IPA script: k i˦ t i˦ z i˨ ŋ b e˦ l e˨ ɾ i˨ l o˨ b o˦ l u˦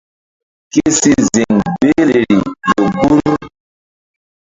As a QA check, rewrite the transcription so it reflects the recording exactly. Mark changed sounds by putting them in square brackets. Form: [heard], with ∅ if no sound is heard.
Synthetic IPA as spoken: k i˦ [s] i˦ z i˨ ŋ b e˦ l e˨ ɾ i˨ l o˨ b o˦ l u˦